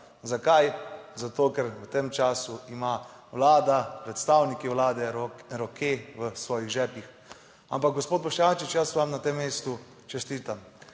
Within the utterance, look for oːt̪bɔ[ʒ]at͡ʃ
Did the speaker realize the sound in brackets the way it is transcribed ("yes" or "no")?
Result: no